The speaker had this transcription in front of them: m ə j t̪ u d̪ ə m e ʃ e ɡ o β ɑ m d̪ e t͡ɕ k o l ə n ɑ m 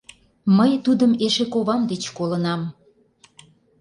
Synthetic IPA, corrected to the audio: m ə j t̪ u d̪ ə m e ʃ e k o β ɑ m d̪ e t͡ɕ k o l ə n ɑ m